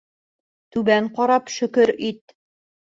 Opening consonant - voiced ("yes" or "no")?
no